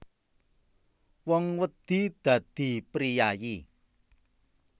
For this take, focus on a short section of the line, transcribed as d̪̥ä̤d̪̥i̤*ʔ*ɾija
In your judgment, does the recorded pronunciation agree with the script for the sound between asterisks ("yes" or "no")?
no